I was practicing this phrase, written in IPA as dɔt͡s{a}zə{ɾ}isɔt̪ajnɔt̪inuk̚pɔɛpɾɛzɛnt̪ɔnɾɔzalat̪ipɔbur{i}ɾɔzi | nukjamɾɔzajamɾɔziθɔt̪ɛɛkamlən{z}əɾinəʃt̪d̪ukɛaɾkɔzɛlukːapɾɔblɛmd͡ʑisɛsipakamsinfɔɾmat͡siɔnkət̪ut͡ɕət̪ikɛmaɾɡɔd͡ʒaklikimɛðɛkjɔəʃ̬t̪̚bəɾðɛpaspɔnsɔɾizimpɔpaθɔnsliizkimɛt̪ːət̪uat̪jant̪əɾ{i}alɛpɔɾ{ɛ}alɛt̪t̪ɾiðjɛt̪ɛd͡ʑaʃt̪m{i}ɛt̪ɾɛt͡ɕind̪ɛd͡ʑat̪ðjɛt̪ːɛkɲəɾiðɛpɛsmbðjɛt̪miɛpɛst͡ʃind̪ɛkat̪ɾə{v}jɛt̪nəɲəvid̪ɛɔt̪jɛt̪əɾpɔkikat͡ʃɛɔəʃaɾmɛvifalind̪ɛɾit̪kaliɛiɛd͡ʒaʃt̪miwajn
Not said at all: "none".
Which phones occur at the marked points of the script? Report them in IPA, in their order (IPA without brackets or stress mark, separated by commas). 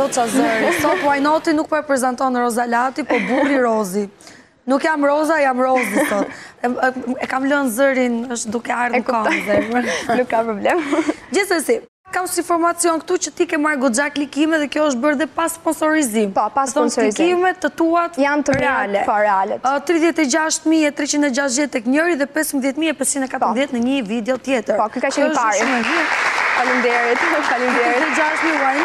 a, ɾ, i, z, ɛ, ɛ, i, ð